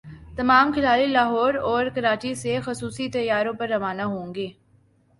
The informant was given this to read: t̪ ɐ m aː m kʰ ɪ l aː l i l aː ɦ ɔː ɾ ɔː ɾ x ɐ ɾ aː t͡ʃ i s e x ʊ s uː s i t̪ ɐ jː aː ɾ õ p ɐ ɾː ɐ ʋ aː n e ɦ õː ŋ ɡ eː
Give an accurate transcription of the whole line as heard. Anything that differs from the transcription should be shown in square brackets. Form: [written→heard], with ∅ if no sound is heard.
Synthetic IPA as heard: t̪ ɐ m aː m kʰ ɪ l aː l i l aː ɦ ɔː ɾ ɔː ɾ [x→k] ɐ ɾ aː t͡ʃ i s e x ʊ s uː s i t̪ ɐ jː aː ɾ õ p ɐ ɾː ɐ ʋ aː n [e→a] ɦ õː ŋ ɡ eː

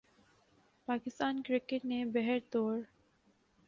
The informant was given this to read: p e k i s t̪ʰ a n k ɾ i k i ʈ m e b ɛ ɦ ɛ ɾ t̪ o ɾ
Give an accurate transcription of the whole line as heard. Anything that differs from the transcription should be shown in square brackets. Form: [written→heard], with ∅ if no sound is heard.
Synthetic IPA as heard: p [e→a] k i s [t̪ʰ→t̪] a n k ɾ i k [i→e] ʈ [m→n] e b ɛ ɦ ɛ ɾ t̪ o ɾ

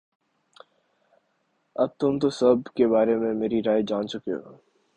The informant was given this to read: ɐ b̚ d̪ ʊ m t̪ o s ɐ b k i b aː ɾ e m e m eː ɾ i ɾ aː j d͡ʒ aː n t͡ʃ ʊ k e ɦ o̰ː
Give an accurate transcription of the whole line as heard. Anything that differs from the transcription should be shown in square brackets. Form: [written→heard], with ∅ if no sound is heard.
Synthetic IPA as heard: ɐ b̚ [d̪→t̪] ʊ m t̪ o s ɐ b k [i→e] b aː ɾ e m [e→ẽ] m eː ɾ i ɾ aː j d͡ʒ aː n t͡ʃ ʊ k e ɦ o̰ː

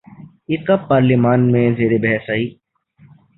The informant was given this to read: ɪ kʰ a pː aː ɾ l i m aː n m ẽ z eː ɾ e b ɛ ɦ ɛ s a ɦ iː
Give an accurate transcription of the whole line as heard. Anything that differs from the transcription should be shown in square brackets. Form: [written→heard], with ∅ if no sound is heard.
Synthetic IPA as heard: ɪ [kʰ→k] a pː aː ɾ l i m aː n m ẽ z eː ɾ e b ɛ ɦ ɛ s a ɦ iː

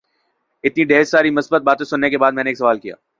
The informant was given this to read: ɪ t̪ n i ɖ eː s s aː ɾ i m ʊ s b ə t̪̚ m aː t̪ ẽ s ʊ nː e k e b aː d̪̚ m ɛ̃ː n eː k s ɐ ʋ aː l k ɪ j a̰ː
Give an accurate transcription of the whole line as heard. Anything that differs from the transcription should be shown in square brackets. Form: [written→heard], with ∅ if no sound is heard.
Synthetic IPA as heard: ɪ t̪ n i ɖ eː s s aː ɾ i m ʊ s b ə t̪̚ [m→b] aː t̪ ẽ s ʊ nː e k e b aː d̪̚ m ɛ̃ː n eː k s ɐ ʋ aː l k [ɪ→i] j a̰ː

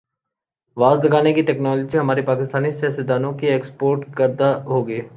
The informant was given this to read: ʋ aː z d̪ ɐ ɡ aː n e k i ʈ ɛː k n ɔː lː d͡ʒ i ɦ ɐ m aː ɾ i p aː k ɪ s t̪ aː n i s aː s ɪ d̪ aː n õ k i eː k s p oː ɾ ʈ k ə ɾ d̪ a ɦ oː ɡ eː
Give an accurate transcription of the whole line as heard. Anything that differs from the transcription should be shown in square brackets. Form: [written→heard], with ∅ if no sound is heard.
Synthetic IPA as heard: ʋ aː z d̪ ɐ ɡ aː n e k i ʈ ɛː k n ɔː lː d͡ʒ i ɦ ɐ m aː ɾ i p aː k ɪ s t̪ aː n i s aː s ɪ d̪ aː n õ k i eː k s p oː ɾ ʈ k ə ɾ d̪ a ɦ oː ɡ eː

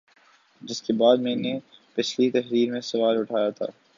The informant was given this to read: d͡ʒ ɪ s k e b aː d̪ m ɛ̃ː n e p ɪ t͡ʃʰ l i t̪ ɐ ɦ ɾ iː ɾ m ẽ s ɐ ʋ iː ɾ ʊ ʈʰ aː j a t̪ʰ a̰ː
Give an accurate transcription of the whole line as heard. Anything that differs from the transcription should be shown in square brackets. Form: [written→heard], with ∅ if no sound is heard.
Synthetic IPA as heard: d͡ʒ ɪ s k e b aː d̪ m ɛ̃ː n e p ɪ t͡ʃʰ l i t̪ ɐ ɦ ɾ iː ɾ m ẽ s ɐ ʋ [iː→aː] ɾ ʊ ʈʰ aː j a t̪ʰ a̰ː

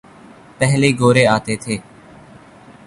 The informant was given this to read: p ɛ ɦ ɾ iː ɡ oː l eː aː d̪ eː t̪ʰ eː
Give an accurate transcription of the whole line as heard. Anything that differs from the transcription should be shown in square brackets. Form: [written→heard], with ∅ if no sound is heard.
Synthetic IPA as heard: p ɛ ɦ [ɾ→l] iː ɡ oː [l→ɾ] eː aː [d̪→t̪] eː t̪ʰ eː

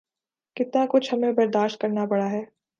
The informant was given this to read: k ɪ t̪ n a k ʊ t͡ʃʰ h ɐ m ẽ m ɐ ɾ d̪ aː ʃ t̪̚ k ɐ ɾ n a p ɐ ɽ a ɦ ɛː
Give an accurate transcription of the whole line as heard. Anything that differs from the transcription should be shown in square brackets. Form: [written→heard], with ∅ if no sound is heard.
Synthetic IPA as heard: k ɪ t̪ n a k ʊ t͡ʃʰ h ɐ m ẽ [m→b] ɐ ɾ d̪ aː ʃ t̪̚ k ɐ ɾ n a p ɐ ɽ a ɦ ɛː

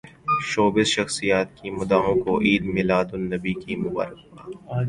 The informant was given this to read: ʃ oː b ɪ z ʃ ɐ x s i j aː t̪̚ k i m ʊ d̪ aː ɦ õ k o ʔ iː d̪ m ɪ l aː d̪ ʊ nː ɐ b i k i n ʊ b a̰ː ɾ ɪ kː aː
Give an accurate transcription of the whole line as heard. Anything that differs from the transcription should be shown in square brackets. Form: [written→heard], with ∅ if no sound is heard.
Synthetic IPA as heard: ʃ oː b ɪ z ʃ ɐ x s i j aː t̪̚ k i m ʊ d̪ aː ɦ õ k o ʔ iː d̪ m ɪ l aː d̪ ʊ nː ɐ b i k i [n→m] ʊ b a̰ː ɾ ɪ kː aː

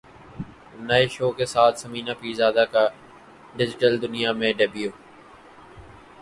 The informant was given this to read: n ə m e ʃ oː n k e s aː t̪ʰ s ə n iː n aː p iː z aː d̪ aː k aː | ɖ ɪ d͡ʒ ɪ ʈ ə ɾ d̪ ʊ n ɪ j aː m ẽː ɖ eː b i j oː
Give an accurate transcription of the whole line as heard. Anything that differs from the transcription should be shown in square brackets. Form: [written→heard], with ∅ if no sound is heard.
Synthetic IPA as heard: n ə [m→∅] e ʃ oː [n→∅] k e s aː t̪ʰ s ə [n→m] iː n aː p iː z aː d̪ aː k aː | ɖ ɪ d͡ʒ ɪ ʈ ə [ɾ→l] d̪ ʊ n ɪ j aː m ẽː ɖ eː b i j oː

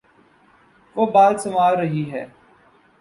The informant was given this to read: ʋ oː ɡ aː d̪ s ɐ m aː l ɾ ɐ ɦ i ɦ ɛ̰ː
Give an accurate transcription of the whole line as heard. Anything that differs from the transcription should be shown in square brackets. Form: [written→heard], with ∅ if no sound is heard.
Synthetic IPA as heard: ʋ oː [ɡ→b] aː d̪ s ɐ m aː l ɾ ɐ ɦ i ɦ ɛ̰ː

